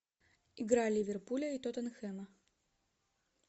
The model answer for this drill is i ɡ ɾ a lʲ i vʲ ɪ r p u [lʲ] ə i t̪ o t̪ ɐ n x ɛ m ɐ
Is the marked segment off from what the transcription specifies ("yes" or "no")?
no